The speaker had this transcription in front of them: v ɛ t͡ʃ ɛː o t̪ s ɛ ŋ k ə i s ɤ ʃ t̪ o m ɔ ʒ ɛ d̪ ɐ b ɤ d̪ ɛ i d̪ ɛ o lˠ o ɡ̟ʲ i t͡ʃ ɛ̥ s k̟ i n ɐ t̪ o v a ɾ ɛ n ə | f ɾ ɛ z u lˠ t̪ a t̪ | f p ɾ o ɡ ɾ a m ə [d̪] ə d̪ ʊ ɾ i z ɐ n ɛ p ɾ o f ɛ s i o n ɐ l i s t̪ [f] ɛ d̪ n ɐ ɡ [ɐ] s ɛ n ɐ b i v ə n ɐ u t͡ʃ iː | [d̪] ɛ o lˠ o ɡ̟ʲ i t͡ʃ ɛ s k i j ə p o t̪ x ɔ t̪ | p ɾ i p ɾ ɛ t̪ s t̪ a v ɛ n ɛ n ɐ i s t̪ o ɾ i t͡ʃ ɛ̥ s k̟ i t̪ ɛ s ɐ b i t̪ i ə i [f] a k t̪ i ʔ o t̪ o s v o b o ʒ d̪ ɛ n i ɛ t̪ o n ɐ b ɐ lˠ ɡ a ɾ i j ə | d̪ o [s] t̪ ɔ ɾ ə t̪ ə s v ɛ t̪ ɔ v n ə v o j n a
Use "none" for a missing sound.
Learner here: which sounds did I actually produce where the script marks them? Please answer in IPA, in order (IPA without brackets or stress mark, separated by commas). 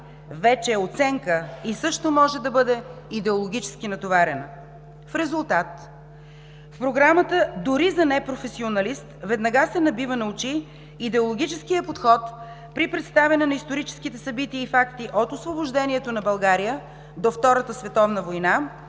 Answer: t̪, v, a, d̪, f, f